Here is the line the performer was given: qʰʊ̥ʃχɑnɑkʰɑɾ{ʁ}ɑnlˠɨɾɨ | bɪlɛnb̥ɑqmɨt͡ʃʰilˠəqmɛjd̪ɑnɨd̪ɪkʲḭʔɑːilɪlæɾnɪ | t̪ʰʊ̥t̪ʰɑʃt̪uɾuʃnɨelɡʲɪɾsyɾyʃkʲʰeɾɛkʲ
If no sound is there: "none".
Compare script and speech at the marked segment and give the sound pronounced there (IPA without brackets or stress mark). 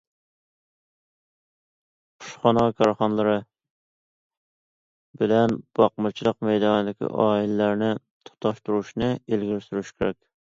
χ